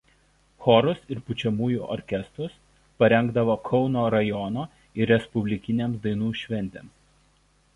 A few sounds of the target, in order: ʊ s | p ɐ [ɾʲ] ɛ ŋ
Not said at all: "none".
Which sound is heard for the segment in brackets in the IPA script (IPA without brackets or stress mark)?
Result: ɾʲ